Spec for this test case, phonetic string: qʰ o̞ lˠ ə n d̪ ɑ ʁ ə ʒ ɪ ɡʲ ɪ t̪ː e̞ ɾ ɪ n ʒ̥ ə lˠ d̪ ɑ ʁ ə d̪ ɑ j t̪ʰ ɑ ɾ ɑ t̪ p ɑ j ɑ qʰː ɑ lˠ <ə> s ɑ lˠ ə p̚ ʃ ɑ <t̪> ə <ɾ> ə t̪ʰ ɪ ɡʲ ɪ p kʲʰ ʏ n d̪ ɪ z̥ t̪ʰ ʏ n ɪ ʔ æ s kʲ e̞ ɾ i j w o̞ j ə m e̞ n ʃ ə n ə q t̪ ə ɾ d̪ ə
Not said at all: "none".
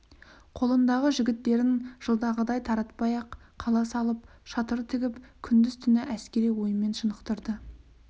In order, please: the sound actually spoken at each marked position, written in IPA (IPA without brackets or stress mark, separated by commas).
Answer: ɑ, t̪, ɾ